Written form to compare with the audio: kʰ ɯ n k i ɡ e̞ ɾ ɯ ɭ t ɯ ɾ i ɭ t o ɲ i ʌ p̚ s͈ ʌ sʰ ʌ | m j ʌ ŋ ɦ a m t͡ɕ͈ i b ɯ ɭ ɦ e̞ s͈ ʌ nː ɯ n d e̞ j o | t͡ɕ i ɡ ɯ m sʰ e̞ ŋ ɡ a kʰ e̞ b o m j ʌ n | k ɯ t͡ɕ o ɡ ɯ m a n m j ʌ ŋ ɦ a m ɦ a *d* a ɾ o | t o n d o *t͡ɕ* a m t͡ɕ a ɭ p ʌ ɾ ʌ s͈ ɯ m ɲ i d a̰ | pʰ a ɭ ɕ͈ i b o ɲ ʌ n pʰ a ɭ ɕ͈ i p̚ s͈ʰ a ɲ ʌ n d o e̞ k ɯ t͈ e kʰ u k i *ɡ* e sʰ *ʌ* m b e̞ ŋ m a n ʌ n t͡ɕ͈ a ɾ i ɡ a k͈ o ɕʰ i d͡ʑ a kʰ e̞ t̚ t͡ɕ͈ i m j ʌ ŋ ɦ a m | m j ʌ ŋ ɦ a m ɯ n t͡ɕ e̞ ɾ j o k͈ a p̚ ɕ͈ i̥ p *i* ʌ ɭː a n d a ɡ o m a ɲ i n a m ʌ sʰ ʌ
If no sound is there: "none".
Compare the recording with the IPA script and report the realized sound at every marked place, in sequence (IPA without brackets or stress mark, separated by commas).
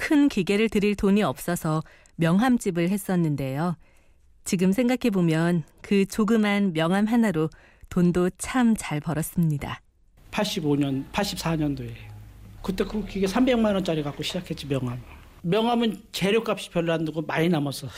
n, t͡ɕʰ, ɡ, a, j